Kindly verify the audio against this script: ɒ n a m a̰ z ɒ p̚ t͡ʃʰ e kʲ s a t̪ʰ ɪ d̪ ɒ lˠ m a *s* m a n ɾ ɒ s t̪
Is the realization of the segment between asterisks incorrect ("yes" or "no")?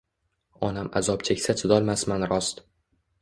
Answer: no